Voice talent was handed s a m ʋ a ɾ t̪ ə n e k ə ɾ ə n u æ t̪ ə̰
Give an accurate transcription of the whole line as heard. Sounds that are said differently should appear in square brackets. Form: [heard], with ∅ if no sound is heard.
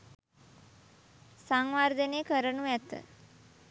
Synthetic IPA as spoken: s a [ŋ] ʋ a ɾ [d̪] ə n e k ə ɾ ə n u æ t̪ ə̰